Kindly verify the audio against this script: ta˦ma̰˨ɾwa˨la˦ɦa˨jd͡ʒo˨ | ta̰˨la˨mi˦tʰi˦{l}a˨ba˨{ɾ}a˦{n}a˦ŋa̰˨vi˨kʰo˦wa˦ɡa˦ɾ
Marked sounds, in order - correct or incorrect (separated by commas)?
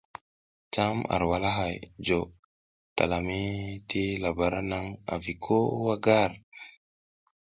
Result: correct, correct, correct